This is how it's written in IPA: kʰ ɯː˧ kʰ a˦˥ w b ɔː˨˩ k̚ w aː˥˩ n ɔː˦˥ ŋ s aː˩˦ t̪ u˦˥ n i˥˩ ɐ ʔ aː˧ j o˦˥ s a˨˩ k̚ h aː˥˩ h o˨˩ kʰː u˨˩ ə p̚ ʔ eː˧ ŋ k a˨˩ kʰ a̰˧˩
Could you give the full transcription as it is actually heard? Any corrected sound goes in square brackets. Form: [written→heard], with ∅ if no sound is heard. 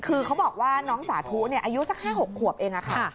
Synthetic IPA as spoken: kʰ ɯː˧ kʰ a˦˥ w b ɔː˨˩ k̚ w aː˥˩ n ɔː˦˥ ŋ s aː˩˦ [t̪→t̪ʰ] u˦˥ n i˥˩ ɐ ʔ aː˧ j [o˦˥→u˦˥] s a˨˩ k̚ h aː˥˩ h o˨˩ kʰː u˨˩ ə p̚ ʔ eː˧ ŋ [k→ʔ] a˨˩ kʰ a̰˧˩